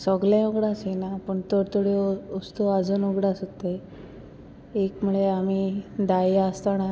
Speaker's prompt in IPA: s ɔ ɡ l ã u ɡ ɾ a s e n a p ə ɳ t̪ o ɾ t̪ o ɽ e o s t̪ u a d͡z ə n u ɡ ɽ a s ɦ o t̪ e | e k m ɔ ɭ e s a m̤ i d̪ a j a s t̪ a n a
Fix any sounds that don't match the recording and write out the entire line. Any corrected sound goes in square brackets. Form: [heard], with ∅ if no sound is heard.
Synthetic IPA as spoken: s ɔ ɡ l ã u ɡ [ɽ] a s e n a p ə ɳ t̪ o ɾ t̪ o ɽ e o s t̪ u a d͡z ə n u ɡ ɽ a s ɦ o t̪ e | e k m [u] ɭ e [∅] a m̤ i d̪ a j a s t̪ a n a